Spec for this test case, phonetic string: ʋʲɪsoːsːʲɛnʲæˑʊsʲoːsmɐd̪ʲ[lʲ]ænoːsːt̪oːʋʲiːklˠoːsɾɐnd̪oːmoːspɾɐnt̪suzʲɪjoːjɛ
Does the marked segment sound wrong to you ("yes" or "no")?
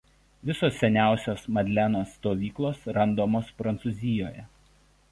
no